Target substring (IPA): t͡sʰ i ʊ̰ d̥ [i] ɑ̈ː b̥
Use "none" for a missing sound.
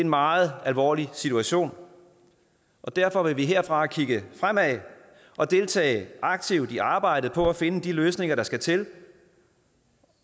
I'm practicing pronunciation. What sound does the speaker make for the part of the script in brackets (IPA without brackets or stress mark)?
i